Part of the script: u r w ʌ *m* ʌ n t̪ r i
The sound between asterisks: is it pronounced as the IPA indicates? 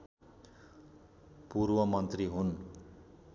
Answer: yes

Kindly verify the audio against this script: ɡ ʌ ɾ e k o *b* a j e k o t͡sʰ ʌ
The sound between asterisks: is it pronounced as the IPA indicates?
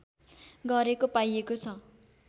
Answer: no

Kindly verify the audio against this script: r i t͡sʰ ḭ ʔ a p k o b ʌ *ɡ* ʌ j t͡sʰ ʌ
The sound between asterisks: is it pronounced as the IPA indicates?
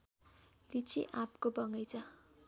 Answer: no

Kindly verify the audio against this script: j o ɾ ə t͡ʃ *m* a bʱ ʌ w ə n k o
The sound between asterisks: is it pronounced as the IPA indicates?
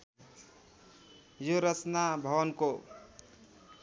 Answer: no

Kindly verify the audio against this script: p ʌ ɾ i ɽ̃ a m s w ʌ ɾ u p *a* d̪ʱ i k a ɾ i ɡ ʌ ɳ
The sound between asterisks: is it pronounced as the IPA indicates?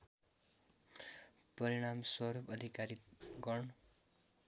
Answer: no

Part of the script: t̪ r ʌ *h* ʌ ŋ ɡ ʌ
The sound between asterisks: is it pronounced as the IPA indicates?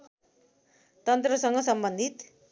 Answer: no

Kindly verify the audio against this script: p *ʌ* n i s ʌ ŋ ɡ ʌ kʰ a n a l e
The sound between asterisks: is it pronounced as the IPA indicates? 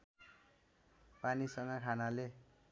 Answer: no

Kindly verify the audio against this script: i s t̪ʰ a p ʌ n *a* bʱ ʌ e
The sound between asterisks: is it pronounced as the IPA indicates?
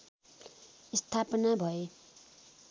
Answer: yes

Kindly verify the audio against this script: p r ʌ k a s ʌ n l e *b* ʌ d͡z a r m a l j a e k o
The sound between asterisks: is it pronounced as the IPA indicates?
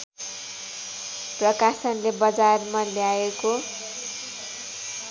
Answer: yes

